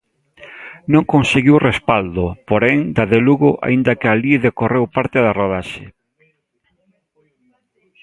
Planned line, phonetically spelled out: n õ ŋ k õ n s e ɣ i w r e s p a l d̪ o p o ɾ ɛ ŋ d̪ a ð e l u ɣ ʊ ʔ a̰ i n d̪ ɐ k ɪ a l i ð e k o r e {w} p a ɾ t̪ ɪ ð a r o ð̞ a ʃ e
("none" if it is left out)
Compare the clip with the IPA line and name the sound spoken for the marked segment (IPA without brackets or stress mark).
w